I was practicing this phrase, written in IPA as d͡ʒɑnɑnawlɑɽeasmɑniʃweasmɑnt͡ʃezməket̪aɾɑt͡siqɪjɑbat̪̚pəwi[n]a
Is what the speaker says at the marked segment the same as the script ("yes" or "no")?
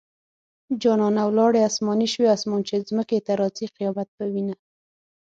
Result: yes